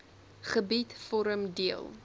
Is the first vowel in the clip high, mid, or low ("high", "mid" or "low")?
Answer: mid